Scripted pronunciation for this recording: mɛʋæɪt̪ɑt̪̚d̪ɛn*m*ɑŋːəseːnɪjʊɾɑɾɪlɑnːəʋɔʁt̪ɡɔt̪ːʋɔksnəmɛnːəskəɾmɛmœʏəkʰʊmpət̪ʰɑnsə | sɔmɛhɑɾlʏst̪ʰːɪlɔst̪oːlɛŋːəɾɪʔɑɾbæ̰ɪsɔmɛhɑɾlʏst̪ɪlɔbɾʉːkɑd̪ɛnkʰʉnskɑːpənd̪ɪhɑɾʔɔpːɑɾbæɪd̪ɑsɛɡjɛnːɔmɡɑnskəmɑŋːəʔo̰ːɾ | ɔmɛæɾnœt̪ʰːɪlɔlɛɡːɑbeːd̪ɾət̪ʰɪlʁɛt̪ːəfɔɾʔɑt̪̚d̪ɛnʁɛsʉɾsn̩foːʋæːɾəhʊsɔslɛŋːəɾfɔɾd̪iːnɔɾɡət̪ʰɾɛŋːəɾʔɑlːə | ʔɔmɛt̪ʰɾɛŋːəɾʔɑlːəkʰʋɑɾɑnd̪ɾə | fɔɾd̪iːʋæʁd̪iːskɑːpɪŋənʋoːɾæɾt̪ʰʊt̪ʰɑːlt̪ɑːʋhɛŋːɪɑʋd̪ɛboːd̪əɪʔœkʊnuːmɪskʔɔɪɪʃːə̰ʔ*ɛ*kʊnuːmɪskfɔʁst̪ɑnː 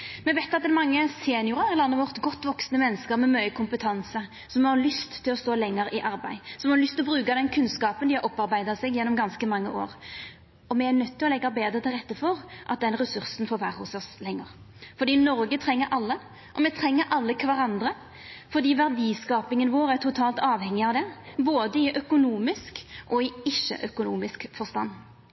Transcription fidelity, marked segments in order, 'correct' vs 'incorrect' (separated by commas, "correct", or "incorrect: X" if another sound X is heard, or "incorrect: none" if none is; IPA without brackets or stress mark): correct, incorrect: œ